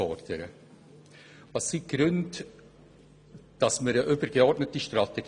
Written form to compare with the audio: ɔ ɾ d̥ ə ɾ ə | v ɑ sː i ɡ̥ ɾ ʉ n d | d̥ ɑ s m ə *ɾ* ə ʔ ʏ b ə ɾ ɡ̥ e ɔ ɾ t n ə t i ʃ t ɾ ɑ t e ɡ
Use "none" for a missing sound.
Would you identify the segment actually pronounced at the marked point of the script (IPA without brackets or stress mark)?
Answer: ɾ